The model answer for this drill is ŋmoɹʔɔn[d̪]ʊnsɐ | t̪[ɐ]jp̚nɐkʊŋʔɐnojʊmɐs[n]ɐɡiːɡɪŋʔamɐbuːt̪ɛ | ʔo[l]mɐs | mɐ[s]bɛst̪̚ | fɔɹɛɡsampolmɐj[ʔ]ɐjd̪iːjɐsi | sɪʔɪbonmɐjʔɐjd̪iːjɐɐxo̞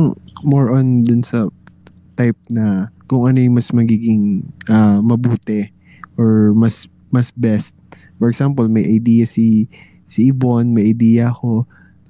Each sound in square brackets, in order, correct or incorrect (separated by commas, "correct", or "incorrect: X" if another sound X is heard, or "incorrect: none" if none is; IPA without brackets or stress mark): correct, incorrect: a, incorrect: m, incorrect: ɹ, correct, correct